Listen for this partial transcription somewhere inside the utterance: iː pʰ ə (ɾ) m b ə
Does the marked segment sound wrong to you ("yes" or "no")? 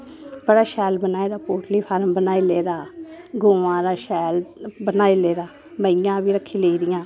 no